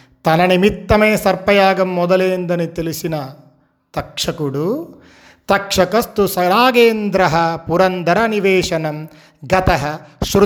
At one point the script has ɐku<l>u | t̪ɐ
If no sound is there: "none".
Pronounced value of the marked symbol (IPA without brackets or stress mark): ɽ